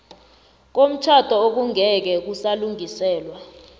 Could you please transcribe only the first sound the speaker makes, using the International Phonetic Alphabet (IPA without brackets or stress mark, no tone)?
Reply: k̬